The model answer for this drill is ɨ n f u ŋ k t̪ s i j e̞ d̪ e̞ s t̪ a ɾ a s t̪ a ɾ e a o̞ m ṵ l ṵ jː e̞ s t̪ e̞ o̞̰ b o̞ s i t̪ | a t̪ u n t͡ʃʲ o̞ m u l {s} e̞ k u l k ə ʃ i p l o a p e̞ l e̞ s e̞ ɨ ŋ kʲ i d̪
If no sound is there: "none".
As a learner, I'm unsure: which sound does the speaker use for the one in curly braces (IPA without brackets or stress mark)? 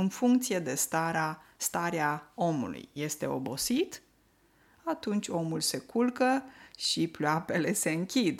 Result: s